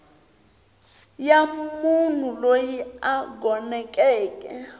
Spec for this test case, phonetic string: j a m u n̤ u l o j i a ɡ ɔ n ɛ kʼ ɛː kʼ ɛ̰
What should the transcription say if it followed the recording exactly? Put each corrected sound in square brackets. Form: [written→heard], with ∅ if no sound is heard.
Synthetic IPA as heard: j a m u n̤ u l o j i a ɡ ɔ n ɛ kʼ ɛː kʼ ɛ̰